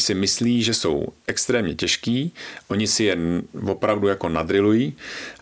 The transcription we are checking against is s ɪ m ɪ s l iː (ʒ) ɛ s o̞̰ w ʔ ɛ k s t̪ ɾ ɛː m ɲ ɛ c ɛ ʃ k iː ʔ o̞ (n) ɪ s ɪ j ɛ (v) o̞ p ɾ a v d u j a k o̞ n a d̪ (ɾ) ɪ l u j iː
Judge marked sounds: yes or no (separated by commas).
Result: yes, no, yes, yes